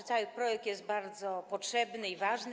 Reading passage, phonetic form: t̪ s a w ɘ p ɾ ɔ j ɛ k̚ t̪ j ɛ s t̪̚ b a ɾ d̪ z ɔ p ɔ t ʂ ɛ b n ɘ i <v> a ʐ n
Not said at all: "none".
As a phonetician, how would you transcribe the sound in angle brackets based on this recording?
v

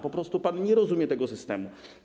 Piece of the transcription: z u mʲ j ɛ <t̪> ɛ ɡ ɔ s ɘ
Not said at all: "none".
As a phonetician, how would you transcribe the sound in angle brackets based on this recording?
t̪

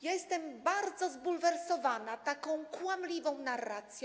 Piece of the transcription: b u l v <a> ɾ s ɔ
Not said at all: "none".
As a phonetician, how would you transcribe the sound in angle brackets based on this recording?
ɛ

